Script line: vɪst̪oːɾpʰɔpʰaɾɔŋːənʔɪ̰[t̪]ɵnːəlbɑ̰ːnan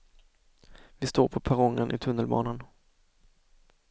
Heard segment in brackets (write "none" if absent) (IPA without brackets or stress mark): t̪ʰ